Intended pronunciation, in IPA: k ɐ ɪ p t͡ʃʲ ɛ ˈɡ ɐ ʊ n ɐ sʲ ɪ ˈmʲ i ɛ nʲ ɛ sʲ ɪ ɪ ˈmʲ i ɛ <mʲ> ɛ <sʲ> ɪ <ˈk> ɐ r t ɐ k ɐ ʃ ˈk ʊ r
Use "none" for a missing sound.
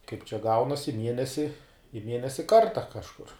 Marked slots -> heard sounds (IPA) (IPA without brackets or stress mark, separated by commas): nʲ, sʲ, k